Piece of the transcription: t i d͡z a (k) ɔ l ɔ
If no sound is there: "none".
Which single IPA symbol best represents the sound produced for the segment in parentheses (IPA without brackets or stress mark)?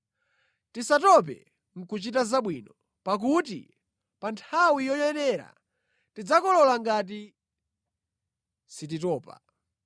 k